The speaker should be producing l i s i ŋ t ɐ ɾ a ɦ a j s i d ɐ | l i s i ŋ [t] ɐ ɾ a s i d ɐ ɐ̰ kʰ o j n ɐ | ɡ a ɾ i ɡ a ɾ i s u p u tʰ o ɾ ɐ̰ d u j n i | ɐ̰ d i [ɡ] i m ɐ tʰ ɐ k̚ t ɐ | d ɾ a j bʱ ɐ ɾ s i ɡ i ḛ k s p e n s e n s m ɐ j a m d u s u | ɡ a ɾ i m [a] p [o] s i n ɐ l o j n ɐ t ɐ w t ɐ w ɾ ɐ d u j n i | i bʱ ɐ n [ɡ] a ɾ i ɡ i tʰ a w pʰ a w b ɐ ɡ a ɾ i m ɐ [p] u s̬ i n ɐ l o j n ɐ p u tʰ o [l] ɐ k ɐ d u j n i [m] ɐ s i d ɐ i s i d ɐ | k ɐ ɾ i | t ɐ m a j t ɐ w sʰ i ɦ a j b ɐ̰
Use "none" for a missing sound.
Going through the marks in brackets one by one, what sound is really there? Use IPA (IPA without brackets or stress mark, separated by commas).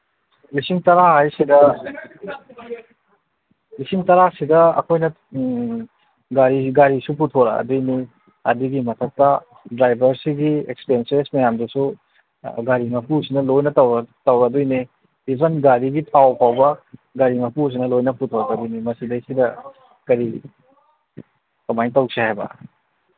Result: t, ɡ, ɐ, u, ɡ, p, ɾ, m